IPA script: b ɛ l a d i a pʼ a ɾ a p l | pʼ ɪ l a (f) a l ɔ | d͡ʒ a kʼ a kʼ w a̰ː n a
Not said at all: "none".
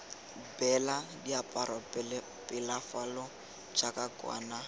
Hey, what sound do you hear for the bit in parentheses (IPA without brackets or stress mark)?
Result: f